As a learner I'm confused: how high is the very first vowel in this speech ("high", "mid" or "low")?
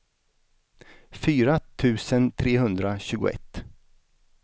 high